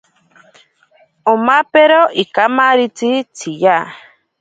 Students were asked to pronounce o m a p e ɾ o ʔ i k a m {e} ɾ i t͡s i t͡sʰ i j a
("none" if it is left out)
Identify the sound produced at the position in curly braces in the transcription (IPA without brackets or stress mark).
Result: a